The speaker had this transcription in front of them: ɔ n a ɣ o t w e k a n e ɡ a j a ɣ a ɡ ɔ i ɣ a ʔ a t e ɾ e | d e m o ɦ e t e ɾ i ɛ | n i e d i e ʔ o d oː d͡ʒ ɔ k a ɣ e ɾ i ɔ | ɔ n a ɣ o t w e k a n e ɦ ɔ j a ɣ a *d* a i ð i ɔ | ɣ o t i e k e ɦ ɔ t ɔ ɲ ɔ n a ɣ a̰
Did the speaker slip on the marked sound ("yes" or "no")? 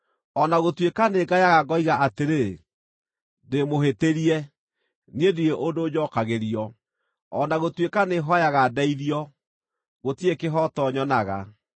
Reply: no